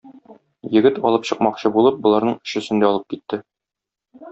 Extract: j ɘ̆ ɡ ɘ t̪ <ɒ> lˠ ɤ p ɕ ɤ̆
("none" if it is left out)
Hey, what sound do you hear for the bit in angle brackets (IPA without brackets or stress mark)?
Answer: ɒ